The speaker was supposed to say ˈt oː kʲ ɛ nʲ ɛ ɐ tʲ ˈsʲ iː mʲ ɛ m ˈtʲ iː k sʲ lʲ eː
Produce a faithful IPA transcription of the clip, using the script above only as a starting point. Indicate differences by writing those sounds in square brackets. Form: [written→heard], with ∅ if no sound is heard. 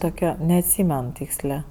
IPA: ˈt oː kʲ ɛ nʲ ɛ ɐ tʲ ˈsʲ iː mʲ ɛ [m→n] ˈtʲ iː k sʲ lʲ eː